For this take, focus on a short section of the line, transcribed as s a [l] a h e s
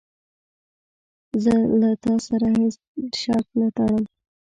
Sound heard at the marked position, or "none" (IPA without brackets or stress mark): ɾ